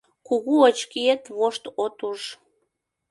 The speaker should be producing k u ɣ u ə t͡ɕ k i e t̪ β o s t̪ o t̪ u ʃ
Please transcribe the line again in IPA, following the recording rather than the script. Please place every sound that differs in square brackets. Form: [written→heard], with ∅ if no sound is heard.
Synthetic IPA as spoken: k u ɣ u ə t͡ɕ k i e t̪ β o [s→ʃ] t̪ o t̪ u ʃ